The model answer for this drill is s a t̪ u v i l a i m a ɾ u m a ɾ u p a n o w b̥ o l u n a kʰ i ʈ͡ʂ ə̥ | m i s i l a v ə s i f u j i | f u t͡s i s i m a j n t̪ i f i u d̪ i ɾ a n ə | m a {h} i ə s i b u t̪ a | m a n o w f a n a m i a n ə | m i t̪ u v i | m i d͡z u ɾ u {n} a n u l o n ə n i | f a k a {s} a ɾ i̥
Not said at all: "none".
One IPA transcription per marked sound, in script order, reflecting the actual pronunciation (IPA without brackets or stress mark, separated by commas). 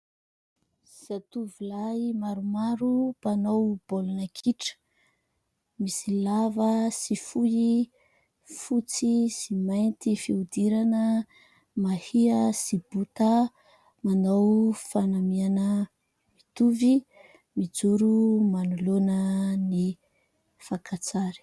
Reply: h, m, t͡s